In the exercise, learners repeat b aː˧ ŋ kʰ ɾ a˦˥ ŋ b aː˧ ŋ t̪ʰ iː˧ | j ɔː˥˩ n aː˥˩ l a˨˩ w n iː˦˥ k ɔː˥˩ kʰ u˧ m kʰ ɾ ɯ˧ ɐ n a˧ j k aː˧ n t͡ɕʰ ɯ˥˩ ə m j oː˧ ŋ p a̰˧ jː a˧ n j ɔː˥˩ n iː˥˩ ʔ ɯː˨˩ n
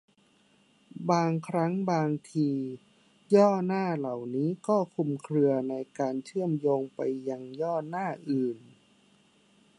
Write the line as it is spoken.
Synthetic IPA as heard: b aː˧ ŋ kʰ ɾ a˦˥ ŋ b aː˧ ŋ t̪ʰ iː˧ | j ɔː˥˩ n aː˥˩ l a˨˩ w n iː˦˥ k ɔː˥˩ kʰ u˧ m kʰ ɾ ɯ˧ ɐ n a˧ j k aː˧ n t͡ɕʰ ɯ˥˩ ə m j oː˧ ŋ p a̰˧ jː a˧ ŋ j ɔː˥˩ n aː˥˩ ʔ ɯː˨˩ n